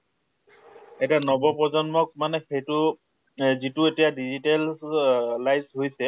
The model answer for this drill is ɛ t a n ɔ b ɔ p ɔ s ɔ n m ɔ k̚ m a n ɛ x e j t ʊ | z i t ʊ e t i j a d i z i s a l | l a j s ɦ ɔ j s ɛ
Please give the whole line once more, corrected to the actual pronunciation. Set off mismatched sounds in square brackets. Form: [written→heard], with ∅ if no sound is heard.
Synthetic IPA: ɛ t a n ɔ b ɔ p ɔ [s→z] ɔ n m ɔ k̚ m a n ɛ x e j t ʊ | z i t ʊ e t i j a d i z i [s→t] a l | l a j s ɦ [ɔ→o] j s ɛ